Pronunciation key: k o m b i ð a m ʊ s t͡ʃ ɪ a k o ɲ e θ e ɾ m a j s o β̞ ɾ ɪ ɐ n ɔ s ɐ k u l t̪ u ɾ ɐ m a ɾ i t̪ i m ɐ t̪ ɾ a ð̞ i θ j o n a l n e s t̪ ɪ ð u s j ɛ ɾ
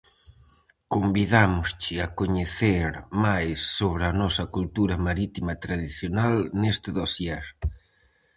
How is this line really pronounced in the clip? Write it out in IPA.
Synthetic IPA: k o m b i ð a m ʊ s t͡ʃ ɪ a k o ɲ e θ e ɾ m a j sː o β̞ ɾ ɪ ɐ n ɔ s ɐ k u l t̪ u ɾ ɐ m a ɾ i t̪ i m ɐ t̪ ɾ a ð̞ i θ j o n a l n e s t̪ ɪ ð o s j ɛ ɾ